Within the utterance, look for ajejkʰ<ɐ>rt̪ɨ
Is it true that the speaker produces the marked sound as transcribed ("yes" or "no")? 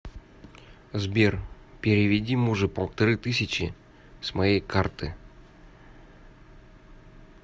no